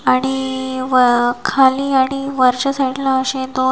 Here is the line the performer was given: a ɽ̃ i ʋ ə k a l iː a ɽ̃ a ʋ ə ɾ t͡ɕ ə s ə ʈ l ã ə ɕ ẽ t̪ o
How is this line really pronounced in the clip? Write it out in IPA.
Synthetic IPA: a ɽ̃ i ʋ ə kʰ a l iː a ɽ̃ i ʋ ə ɾ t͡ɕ ə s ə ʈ l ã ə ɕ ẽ d̪ o